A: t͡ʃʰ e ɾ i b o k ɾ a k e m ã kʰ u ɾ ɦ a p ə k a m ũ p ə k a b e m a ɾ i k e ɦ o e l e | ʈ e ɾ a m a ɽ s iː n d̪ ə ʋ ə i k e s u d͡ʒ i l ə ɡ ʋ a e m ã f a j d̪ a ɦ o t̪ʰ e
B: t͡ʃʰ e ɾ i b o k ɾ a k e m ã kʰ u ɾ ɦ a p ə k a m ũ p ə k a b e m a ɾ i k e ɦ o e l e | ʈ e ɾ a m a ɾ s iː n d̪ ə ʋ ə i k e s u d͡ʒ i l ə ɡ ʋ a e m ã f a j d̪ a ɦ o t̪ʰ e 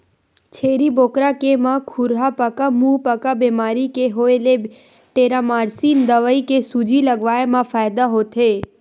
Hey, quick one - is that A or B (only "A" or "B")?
B